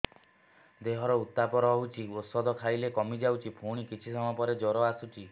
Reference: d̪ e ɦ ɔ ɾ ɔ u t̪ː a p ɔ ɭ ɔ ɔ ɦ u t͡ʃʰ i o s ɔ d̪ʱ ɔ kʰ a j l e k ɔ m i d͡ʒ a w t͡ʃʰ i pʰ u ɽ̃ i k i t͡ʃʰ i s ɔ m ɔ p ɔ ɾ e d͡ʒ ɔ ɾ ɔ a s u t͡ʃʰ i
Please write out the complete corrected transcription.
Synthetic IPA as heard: d̪ e ɦ ɔ ɾ ɔ u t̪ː a p ɔ ɾ ɔ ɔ ɦ u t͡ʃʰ i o s ɔ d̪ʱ ɔ kʰ a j l e k ɔ m i d͡ʒ a w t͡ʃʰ i pʰ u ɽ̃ i k i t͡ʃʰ i s ɔ m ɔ p ɔ ɾ e d͡ʒ ɔ ɾ ɔ a s u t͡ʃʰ i